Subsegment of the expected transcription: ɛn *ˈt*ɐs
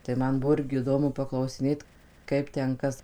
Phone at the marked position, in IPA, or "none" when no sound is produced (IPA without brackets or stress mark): k